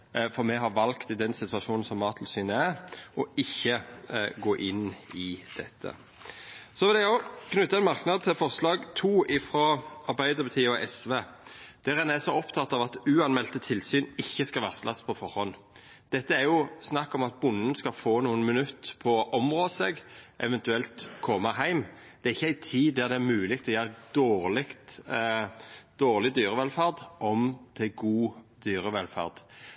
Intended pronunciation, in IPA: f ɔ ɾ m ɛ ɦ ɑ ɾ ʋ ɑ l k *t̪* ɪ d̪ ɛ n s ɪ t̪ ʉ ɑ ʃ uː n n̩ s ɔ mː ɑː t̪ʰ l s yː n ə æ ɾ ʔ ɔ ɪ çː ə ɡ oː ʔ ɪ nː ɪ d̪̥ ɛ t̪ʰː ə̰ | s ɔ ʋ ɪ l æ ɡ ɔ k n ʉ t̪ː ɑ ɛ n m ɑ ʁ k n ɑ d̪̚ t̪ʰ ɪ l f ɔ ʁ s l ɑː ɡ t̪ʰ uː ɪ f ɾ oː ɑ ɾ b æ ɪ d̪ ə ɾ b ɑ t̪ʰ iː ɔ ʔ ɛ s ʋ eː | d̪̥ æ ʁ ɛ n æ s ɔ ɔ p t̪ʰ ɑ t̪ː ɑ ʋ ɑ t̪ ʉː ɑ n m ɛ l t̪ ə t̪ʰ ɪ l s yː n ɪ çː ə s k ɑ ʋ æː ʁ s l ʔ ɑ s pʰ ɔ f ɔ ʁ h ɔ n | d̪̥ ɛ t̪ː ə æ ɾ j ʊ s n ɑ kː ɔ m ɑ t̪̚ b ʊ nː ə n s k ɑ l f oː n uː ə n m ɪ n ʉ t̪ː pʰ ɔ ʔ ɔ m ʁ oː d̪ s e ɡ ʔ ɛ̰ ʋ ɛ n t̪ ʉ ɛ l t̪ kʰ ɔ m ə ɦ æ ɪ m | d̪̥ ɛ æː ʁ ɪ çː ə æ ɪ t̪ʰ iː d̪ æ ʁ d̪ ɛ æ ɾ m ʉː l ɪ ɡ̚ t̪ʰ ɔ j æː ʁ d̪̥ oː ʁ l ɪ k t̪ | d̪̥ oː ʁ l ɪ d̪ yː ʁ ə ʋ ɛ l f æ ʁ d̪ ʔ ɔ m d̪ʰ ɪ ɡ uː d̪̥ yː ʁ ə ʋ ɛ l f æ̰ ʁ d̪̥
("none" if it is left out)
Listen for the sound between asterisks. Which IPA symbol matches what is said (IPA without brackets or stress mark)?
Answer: t̪